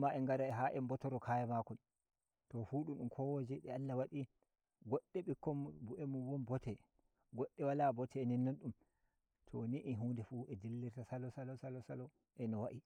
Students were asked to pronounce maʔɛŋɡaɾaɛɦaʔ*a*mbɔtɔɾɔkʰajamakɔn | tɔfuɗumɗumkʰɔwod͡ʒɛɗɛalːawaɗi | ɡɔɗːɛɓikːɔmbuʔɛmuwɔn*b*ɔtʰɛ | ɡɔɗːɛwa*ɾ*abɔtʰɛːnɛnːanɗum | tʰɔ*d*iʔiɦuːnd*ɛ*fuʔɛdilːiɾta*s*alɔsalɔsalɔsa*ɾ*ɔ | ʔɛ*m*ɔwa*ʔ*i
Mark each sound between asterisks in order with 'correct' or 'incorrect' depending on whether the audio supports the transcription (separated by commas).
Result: incorrect, correct, incorrect, incorrect, correct, correct, incorrect, incorrect, correct